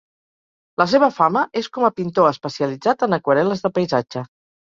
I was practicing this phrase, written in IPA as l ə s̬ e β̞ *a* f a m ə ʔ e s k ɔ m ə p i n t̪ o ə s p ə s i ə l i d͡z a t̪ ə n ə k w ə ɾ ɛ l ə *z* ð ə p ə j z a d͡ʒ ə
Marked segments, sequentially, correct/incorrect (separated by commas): incorrect, correct